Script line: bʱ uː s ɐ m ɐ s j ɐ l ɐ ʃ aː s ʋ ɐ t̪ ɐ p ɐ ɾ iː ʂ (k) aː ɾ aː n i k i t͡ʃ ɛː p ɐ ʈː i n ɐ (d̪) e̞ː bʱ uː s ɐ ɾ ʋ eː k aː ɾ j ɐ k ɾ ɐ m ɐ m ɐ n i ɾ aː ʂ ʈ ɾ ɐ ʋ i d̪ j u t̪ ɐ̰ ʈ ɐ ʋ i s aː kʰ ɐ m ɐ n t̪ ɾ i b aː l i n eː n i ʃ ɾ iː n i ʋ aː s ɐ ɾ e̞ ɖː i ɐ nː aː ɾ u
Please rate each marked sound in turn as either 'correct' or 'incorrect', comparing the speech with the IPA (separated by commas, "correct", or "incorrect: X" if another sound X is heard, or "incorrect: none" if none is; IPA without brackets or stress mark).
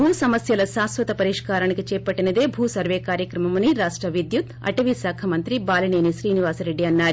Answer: correct, correct